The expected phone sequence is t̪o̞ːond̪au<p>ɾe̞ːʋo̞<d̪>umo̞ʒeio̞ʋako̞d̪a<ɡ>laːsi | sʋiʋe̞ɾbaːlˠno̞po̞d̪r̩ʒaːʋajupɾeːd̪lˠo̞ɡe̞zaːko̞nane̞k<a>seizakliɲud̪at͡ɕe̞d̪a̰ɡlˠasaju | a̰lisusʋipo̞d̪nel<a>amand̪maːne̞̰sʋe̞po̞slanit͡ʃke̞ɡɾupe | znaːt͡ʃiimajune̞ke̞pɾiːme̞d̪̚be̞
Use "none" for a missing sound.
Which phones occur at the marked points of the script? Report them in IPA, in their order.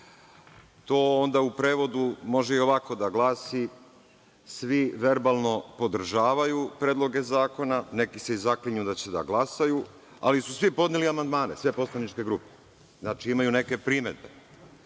p, d̪, ɡ, i, i

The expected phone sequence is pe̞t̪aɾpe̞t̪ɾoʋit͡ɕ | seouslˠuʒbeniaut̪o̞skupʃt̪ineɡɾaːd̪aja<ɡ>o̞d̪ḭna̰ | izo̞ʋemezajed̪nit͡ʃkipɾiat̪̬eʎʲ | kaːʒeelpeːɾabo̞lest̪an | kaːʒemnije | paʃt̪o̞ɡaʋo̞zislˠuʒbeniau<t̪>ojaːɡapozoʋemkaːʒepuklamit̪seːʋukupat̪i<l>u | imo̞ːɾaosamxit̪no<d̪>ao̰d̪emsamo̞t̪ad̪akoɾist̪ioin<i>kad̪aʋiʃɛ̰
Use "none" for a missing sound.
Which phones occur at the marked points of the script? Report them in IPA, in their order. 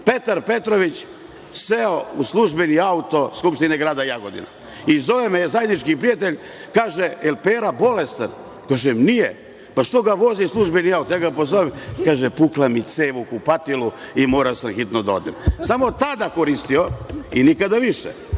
ɡ, t̪, l, d̪, i

